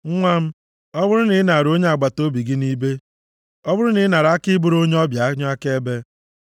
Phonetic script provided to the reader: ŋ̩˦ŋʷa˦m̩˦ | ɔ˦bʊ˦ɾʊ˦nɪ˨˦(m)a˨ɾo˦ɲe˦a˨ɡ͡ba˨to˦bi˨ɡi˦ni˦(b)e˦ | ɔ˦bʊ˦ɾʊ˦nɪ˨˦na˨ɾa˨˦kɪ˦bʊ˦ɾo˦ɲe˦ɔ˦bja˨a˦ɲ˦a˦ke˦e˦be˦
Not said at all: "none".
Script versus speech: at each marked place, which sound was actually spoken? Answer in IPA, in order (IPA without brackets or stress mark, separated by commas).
n, b